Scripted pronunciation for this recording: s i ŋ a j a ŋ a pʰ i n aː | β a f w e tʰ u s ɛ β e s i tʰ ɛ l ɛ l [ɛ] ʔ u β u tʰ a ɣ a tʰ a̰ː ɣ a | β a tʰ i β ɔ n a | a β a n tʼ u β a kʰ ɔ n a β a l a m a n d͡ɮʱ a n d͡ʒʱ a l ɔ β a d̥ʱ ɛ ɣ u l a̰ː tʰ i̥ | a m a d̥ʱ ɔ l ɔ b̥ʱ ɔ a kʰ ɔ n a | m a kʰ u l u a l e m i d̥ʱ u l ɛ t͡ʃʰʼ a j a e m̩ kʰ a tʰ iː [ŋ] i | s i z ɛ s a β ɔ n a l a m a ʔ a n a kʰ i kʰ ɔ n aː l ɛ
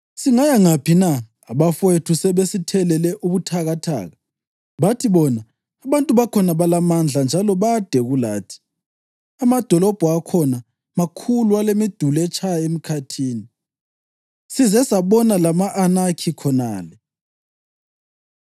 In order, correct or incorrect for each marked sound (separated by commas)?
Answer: correct, incorrect